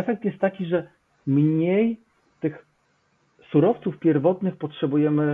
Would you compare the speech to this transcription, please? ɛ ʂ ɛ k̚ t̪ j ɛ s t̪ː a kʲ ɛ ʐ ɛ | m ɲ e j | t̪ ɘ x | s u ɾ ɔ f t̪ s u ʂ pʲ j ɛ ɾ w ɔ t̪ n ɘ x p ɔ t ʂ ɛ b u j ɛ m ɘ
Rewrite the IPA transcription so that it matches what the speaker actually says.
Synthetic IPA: ɛ f ɛ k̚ t̪ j ɛ s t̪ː a kʲ i ʐ ɛ | m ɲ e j | t̪ ɘ x | s u ɾ ɔ f t̪ s u f pʲ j ɛ ɾ v ɔ t̪ n ɘ x p ɔ t ʂ ɛ b u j ɛ m ɘ